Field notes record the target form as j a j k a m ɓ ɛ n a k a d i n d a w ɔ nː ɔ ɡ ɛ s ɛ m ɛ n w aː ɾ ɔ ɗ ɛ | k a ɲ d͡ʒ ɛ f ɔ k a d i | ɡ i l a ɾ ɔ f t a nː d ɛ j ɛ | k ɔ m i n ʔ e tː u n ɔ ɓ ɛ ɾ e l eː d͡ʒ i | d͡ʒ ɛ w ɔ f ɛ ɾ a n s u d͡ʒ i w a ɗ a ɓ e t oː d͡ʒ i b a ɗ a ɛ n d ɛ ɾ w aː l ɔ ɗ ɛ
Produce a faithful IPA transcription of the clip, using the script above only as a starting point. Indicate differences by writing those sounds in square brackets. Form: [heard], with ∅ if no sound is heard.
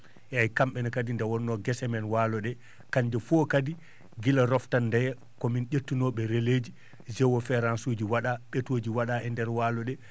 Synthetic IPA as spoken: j a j k a m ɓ ɛ n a k a d i n d a w ɔ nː ɔ ɡ ɛ s ɛ m ɛ n w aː [l] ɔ ɗ ɛ | k a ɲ d͡ʒ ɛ f ɔ k a d i | ɡ i l a ɾ ɔ f t a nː d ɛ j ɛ | k ɔ m i n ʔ e tː u n ɔ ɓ ɛ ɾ e l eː d͡ʒ i | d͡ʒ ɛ w ɔ f ɛ ɾ a n s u d͡ʒ i w a ɗ a ɓ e t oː d͡ʒ i [w] a ɗ a ɛ n d ɛ ɾ w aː l ɔ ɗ ɛ